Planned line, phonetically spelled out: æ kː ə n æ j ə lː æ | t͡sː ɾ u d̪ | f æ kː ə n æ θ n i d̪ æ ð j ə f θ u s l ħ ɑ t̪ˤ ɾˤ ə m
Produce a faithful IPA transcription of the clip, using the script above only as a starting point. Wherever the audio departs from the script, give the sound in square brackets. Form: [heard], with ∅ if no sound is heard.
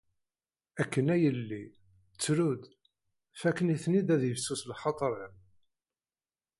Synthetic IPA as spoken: æ kː ə n æ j ə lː [i] | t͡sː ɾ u d̪ | f æ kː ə n [i] θ n i d̪ æ ð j ə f [s] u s l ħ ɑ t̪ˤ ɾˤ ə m

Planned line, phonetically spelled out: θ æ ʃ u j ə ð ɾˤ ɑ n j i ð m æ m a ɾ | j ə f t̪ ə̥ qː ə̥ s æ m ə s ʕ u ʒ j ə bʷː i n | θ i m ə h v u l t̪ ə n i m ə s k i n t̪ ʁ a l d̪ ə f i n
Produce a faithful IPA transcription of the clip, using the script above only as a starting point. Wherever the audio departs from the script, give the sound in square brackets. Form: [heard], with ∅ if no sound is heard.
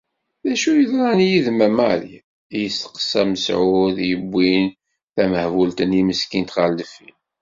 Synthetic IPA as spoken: [ð] æ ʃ u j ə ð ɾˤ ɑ n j i ð m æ m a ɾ | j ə [s] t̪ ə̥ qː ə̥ s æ m ə s ʕ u [ð] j ə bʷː i n | θ [æ] m ə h v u l t̪ ə n i m ə s k i n t̪ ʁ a l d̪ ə f i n

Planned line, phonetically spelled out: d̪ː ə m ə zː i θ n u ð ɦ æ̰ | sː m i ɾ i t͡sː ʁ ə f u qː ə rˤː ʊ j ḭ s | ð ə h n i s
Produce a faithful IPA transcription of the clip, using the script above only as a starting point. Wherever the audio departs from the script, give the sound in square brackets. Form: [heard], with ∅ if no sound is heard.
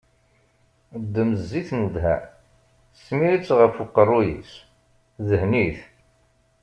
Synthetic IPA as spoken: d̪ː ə m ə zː i θ n u ð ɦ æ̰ | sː m i ɾ i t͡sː ʁ ə f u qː ə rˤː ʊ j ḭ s | ð ə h n i [θ]

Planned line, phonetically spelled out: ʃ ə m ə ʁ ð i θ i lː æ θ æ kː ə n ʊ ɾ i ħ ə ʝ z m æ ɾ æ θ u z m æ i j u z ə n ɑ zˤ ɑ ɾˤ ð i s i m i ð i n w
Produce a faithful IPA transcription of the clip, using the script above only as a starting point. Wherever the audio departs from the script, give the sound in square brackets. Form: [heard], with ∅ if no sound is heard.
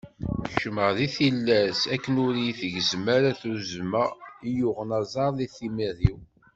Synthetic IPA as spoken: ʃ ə m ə ʁ ð i θ i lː æ [s] æ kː ə n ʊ ɾ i [θ] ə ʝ z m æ ɾ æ θ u z m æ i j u [ʁ] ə n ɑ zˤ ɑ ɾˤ ð i [θ] i m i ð i [∅] w

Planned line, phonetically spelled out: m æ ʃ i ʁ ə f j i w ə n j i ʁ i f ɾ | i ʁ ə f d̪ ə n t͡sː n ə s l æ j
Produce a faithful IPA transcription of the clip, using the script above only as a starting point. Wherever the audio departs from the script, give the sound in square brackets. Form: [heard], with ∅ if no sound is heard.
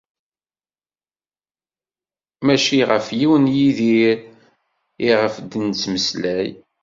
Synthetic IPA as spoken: m æ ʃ i ʁ ə f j i w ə n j i [ð] i [∅] ɾ | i ʁ ə f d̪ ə n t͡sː [m] ə s l æ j

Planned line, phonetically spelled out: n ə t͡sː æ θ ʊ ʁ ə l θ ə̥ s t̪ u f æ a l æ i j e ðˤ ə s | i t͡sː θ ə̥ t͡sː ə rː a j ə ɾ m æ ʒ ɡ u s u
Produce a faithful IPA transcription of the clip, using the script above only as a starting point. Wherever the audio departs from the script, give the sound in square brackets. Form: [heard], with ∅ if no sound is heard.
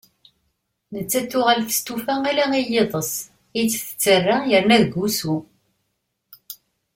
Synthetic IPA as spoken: n ə t͡sː æ θ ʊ ʁ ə l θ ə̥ s t̪ u f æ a l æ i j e ðˤ ə s | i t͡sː θ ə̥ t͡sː ə rː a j ə ɾ [n] æ [ð] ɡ u s u

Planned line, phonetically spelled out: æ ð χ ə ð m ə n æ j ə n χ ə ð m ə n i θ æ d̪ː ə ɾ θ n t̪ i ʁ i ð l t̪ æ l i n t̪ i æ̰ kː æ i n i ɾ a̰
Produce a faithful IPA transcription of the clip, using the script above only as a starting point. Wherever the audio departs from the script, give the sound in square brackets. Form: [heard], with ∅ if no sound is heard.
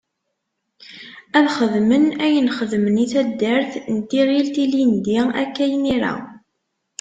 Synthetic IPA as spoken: æ ð χ ə ð m ə n æ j ə n χ ə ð m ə n i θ æ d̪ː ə ɾ θ n t̪ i ʁ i [∅] l t̪ [i] l i n [d̪] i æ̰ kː æ [j] n i ɾ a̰

